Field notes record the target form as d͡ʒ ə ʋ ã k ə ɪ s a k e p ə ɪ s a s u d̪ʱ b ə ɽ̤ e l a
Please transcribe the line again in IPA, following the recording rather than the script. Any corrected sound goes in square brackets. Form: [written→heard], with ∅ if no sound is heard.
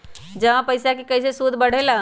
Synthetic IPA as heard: d͡ʒ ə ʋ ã [k→p] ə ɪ s a k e [p→k] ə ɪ s [a→e] s u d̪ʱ b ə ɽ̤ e l a